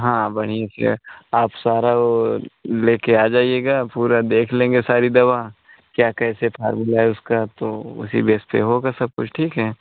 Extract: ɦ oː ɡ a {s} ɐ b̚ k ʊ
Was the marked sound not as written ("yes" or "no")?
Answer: no